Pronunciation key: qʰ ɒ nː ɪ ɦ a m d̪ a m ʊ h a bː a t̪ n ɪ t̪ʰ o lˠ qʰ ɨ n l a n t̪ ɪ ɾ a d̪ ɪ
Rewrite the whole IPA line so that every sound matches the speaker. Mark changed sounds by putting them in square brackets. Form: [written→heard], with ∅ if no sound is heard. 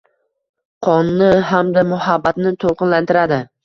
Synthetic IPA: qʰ ɒ nː ɪ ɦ a m d̪ a m ʊ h a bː a t̪ n ɪ t̪ʰ o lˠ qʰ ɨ n l a n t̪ ɪ ɾ a d̪ ɪ

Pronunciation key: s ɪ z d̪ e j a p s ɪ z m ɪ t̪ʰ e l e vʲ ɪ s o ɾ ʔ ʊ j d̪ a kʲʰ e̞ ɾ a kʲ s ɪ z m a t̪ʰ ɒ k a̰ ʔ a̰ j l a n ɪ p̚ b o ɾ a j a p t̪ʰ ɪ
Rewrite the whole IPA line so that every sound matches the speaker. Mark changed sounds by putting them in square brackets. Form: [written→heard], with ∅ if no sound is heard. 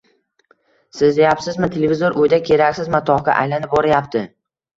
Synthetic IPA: s ɪ z d̪ e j a p s ɪ z m ɪ t̪ʰ e l e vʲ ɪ [s→z] o ɾ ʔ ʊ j d̪ a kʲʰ e̞ ɾ a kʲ s ɪ z m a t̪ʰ ɒ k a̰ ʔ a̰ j l a n ɪ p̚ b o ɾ a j a p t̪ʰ ɪ

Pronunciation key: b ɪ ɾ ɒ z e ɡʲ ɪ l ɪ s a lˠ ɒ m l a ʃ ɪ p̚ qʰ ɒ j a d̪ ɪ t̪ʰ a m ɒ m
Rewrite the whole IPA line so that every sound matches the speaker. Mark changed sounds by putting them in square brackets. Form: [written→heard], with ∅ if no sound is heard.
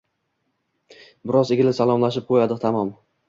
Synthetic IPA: b ɪ ɾ ɒ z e ɡʲ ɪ l ɪ s a lˠ ɒ m l a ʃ ɪ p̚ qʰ [ɒ→o] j a d̪ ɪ t̪ʰ a m ɒ m

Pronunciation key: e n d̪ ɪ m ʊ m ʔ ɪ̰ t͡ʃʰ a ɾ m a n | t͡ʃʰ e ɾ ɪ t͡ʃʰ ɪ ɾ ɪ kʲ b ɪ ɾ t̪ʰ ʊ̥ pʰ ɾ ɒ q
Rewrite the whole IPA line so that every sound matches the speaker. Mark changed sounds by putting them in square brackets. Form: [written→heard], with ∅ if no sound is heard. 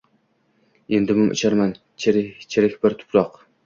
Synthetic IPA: e n d̪ ɪ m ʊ m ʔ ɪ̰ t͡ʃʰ a ɾ m a n | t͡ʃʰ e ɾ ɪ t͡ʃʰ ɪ ɾ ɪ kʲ b ɪ ɾ t̪ʰ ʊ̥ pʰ ɾ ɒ q

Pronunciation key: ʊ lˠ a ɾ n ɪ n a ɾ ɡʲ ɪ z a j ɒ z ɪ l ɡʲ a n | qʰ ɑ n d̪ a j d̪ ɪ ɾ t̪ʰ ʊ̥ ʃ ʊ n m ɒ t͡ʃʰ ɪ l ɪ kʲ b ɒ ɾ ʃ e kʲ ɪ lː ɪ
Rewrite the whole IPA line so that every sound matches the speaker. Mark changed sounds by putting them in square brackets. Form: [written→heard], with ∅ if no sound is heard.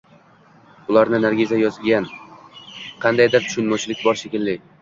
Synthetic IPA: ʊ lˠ a ɾ n ɪ n a ɾ ɡʲ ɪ z a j ɒ z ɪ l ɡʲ a n | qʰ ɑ n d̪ a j d̪ ɪ ɾ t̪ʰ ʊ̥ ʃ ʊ n m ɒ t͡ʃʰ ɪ l ɪ kʲ b ɒ ɾ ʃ e kʲ ɪ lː ɪ

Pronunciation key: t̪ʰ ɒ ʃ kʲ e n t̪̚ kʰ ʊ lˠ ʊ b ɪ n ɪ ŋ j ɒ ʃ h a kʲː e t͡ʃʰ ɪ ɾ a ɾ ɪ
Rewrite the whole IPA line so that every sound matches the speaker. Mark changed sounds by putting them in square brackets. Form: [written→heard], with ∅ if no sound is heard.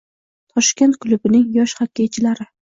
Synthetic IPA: t̪ʰ ɒ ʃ kʲ e n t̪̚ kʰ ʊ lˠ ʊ b ɪ n ɪ ŋ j ɒ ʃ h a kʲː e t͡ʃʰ ɪ [ɾ→l] a ɾ ɪ

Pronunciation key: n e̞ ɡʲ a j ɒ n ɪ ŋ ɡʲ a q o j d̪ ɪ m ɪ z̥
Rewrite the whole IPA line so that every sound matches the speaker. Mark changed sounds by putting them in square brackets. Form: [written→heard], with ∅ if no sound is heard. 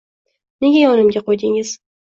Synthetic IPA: n e̞ ɡʲ a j ɒ n ɪ [ŋ→m] ɡʲ a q o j d̪ ɪ [m→ŋ] ɪ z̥

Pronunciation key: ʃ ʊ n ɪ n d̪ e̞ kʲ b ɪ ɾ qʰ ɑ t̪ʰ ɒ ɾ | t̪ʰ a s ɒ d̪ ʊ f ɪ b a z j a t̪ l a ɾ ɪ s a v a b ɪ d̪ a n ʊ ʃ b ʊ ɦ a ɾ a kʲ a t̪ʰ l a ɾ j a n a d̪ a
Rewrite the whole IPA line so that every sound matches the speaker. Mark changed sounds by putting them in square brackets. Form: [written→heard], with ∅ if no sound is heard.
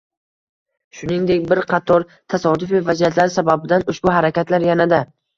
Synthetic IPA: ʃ ʊ n ɪ [n→ŋ] d̪ e̞ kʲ b ɪ ɾ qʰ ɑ t̪ʰ ɒ ɾ | t̪ʰ a s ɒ d̪ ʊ f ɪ [b→v] a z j a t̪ l a ɾ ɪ s a [v→b] a b ɪ d̪ a n ʊ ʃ b ʊ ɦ a ɾ a kʲ a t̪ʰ l a ɾ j a n a d̪ a

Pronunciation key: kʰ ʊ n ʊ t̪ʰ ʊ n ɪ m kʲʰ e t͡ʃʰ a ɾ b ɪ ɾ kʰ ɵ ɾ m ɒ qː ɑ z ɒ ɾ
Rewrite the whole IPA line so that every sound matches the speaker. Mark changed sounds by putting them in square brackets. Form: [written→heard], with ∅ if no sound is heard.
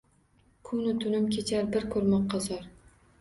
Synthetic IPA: kʰ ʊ n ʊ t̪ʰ ʊ n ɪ m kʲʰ e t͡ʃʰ a ɾ b ɪ ɾ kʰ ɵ ɾ m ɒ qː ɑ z ɒ ɾ

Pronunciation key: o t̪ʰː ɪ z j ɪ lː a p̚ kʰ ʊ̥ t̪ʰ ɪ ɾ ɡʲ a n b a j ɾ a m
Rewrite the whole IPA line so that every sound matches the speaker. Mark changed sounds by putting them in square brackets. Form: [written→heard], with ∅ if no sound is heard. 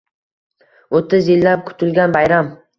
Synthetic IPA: o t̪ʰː ɪ z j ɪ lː a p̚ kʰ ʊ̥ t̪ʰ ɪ [ɾ→l] ɡʲ a n b a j ɾ a m

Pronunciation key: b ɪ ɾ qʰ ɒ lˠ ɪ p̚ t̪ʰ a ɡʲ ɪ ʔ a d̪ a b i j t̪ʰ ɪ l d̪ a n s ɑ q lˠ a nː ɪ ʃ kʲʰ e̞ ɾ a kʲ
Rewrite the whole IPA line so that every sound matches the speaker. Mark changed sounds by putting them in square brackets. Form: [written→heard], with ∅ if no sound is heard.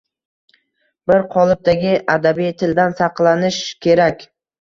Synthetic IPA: b ɪ ɾ qʰ ɒ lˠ ɪ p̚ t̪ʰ a ɡʲ ɪ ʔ a d̪ a b i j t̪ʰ ɪ l d̪ a n s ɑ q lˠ a [nː→n] ɪ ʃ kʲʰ e̞ ɾ a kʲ

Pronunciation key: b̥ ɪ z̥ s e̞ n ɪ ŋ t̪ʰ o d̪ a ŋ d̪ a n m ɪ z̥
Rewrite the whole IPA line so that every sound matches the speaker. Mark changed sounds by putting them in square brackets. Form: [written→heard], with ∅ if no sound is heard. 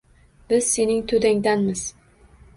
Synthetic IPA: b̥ ɪ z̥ s e̞ n ɪ ŋ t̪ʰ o d̪ a ŋ d̪ a n m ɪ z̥

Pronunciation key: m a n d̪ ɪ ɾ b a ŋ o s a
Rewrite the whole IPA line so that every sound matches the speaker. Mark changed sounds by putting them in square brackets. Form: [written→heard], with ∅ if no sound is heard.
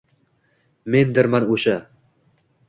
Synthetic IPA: m [a→e] n d̪ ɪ ɾ [b→m] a [ŋ→n] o [s→ʃ] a

